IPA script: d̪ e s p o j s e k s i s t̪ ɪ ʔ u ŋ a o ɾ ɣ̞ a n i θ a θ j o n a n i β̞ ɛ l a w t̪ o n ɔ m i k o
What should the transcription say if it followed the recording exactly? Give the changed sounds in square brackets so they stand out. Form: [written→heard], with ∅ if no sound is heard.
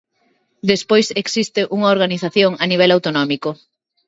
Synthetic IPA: d̪ e s p o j s e k s i s t̪ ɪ ʔ u ŋ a o ɾ ɣ̞ a n i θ a θ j o [n→ŋ] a n i β̞ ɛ l a w t̪ o n ɔ m i k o